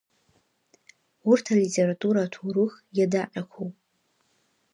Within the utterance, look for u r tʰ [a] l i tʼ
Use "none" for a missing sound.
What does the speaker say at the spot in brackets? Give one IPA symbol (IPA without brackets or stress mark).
a